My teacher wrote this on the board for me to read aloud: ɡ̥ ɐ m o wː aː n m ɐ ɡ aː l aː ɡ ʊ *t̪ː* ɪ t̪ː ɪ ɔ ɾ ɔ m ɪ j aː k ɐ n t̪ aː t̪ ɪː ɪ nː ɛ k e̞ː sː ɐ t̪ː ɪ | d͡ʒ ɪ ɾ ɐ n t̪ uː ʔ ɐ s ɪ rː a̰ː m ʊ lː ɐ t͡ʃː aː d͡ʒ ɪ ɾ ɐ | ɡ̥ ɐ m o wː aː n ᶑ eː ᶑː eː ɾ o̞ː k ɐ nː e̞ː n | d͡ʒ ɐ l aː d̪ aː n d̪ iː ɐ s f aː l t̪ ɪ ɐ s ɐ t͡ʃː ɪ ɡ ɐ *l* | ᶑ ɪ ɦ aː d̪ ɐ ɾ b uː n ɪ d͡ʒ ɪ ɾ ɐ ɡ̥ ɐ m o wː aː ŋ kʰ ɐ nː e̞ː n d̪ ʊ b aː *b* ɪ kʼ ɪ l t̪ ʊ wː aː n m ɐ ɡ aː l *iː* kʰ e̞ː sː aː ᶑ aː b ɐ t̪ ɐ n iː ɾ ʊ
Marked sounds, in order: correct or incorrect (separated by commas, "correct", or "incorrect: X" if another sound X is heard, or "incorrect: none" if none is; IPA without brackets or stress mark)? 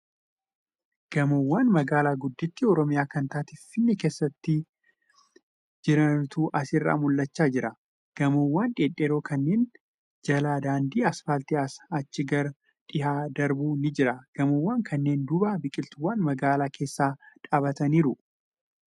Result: incorrect: d̪ː, incorrect: ɾ, correct, incorrect: aː